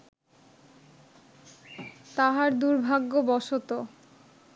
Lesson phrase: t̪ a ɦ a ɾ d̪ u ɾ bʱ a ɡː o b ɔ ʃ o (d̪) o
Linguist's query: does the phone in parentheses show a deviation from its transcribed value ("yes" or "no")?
yes